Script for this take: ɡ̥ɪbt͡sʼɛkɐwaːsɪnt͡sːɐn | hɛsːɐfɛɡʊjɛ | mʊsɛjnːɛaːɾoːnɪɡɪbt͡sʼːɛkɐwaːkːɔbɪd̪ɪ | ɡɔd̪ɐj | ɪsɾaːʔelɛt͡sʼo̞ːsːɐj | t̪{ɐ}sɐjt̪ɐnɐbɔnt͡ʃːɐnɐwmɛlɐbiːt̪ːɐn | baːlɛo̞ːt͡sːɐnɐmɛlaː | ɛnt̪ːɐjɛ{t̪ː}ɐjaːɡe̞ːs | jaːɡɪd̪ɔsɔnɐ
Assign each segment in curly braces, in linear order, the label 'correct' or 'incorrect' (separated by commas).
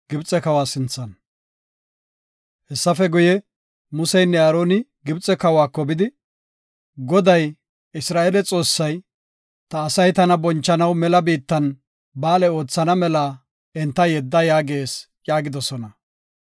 incorrect, incorrect